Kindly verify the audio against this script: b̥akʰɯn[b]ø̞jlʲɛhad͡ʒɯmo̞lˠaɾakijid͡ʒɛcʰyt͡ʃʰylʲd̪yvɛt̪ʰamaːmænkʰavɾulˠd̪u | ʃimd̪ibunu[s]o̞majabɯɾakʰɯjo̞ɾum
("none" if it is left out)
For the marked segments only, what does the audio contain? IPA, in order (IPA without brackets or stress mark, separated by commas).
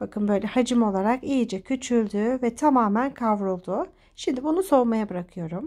b, s